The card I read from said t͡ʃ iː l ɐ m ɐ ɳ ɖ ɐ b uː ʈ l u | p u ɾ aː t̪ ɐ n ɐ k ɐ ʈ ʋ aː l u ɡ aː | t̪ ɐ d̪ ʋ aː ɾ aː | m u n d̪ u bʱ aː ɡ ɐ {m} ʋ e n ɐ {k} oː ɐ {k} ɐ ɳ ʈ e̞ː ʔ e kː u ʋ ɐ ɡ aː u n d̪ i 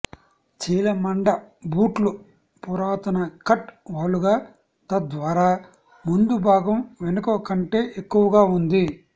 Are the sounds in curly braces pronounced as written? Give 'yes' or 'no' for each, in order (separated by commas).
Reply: yes, yes, yes